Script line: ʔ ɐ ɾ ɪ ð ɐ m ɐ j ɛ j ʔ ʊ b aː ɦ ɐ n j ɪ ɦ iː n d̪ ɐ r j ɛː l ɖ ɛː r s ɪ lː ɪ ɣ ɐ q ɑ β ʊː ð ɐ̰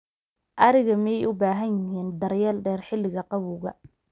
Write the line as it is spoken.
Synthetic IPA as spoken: ʔ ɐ ɾ ɪ ɣ ɐ m ɐ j ɛ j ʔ ʊ b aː ɦ ɐ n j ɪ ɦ iː n d̪ ɐ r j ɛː l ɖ ɛː r ħ ɪ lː ɪ ɣ ɐ q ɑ β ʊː ɣ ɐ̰